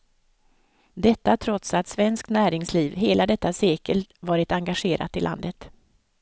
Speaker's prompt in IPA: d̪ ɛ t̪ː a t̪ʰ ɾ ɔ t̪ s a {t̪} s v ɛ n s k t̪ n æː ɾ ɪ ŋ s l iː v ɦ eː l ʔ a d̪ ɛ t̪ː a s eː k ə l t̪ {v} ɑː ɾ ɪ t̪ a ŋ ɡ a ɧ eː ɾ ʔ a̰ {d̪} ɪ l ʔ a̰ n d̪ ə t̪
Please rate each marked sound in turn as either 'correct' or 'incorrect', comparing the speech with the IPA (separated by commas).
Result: correct, correct, incorrect